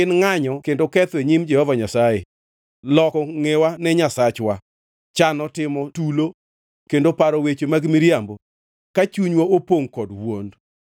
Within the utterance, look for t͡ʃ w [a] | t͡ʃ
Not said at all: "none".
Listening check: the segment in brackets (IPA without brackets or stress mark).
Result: a